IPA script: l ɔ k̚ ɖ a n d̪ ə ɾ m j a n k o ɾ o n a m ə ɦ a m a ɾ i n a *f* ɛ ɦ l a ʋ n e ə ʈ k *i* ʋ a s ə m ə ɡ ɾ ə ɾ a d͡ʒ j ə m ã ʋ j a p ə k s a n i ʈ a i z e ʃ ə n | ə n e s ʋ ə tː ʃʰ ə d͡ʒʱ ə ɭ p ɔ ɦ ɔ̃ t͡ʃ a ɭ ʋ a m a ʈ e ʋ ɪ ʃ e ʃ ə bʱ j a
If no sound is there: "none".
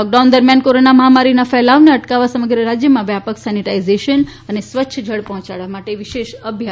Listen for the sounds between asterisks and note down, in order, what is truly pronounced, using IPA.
f, a

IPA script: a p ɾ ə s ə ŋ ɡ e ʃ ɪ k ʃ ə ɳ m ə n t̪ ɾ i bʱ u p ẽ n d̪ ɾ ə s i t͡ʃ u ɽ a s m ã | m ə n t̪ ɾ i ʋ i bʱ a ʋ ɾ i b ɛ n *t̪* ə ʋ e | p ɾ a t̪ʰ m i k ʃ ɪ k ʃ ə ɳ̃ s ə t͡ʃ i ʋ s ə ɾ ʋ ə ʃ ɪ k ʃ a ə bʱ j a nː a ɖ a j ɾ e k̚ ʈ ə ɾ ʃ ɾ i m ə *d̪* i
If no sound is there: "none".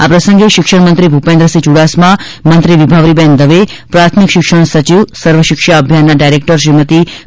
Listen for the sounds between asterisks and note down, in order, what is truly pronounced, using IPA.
d̪, t̪

